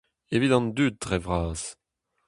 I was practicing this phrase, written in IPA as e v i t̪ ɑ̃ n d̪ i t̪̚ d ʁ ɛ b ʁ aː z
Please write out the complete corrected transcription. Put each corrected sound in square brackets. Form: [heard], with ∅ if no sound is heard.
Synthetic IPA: e v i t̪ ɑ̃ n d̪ [y] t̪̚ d ʁ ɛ [v] ʁ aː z